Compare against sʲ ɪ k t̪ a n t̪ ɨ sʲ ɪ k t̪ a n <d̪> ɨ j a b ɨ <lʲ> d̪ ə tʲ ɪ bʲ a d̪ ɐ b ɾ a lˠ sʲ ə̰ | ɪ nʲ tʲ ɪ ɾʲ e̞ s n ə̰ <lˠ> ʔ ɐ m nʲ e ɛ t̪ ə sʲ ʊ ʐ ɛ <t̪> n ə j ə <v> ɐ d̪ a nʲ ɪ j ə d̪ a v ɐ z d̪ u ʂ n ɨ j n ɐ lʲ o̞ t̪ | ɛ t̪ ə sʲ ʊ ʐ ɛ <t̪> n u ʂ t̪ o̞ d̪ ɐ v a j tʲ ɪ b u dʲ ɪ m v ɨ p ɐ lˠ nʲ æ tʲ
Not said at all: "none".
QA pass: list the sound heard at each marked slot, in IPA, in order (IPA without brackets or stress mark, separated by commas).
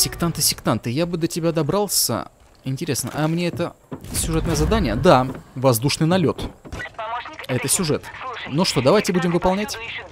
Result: t̪, none, none, t̪, z, t̪